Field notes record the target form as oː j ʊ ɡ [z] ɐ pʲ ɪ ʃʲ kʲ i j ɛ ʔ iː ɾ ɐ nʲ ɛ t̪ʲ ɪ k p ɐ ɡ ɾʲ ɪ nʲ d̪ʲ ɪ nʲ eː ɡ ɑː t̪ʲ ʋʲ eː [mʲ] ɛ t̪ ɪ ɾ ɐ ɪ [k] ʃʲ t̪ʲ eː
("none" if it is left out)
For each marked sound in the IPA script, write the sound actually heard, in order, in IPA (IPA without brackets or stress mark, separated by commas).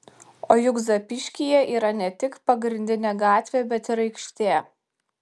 z, bʲ, k